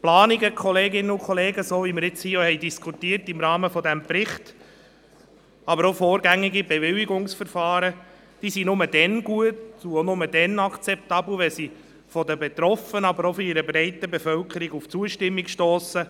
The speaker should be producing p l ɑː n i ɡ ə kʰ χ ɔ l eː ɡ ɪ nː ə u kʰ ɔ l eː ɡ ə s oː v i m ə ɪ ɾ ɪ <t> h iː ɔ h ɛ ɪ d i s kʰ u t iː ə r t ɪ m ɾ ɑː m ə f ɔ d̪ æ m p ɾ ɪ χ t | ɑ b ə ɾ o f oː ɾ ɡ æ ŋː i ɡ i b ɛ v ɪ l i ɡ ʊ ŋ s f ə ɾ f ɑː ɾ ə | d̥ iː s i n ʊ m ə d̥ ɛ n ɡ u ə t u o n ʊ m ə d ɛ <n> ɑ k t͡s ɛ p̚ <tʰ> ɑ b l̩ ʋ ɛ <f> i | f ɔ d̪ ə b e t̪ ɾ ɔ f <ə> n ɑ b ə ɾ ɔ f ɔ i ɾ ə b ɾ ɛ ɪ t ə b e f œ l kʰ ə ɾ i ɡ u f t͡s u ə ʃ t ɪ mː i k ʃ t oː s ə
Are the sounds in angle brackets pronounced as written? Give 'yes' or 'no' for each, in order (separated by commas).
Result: no, yes, no, no, yes